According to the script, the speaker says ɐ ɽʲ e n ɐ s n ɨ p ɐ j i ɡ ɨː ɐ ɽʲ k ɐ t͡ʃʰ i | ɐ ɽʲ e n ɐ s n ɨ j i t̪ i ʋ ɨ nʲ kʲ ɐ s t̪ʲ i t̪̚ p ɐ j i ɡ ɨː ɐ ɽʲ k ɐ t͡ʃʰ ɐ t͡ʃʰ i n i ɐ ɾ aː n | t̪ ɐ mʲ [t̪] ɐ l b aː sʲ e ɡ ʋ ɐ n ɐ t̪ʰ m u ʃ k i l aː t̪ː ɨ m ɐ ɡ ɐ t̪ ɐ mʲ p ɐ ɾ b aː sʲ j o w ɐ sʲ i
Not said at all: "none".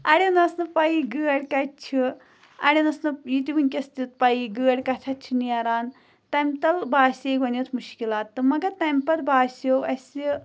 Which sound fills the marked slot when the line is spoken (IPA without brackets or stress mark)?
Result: t̪